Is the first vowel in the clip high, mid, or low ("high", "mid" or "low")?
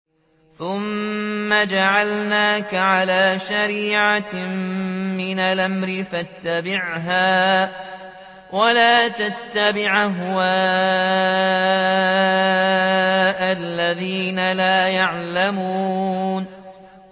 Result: high